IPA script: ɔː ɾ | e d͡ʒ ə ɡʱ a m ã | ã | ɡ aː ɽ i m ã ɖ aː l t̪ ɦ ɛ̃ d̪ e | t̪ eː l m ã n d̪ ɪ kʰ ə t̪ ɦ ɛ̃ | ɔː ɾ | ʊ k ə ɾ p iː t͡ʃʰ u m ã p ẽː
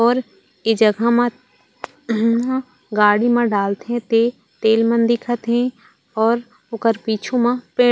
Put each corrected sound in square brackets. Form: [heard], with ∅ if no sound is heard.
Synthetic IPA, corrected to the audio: ɔː ɾ | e d͡ʒ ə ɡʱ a m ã | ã | ɡ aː ɽ i m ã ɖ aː l t̪ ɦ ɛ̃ [t̪] e | t̪ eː l m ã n d̪ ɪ kʰ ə t̪ ɦ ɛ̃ | ɔː ɾ | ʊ k ə ɾ p iː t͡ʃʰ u m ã p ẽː